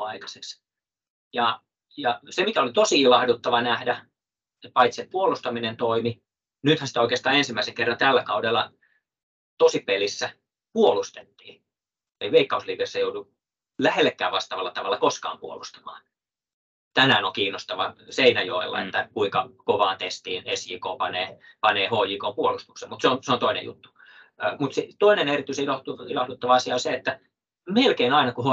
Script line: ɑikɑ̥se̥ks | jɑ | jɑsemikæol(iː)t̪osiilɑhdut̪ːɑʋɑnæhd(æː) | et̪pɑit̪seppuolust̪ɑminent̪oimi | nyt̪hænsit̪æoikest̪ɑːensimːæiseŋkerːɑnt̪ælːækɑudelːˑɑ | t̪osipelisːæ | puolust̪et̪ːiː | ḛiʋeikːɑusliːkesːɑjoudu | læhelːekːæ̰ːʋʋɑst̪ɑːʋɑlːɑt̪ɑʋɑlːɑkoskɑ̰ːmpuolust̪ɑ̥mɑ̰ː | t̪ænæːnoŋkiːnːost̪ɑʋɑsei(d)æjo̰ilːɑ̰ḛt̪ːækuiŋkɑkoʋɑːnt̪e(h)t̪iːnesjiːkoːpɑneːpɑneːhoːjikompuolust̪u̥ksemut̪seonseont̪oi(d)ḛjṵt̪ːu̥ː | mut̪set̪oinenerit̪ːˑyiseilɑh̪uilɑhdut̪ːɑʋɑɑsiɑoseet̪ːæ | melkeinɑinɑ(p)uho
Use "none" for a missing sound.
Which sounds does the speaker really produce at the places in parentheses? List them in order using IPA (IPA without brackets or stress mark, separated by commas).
i, æ, n, s, n, k